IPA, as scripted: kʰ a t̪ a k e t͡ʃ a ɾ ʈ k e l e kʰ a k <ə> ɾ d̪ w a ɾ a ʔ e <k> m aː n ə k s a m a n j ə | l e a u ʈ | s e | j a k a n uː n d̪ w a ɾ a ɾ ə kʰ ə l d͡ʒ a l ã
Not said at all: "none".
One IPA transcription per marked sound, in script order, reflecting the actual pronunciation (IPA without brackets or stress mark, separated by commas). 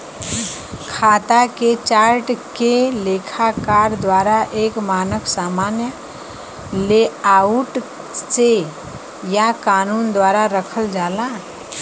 a, k